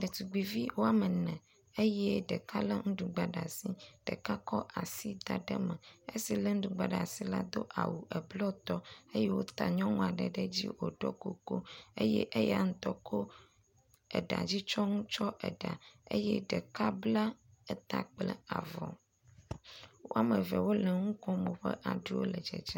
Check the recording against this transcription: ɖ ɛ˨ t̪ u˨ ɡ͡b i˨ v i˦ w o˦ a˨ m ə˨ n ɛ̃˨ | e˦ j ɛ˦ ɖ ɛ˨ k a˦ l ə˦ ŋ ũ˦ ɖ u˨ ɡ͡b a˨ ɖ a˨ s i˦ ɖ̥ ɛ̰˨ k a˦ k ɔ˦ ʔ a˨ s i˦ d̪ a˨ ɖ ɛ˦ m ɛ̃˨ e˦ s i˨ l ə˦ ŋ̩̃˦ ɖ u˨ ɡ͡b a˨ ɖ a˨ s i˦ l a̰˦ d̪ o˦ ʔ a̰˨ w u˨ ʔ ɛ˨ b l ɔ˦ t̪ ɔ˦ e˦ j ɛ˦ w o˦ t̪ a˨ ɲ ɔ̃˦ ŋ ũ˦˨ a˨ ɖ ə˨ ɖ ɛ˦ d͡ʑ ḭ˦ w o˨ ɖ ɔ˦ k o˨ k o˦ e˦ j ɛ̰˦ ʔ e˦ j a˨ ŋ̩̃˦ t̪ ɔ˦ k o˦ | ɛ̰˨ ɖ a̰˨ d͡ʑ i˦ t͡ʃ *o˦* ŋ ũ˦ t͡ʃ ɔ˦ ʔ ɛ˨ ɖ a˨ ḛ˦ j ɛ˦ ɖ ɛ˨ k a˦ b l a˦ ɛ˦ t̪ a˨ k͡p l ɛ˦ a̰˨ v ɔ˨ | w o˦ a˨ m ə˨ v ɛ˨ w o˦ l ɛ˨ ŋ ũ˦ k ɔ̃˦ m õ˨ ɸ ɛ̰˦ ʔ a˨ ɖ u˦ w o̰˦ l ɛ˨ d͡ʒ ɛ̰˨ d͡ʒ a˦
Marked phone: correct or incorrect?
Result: incorrect